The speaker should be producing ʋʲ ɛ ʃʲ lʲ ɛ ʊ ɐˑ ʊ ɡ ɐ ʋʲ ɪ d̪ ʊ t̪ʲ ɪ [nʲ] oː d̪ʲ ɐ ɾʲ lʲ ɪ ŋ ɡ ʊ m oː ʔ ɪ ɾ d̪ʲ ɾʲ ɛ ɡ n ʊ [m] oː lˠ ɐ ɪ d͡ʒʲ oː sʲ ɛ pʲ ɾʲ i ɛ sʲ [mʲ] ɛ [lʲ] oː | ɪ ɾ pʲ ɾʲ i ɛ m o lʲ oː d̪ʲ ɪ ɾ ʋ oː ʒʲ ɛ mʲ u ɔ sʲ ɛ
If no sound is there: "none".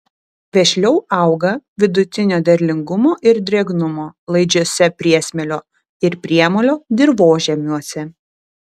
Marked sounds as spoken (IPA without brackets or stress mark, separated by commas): nʲ, m, mʲ, lʲ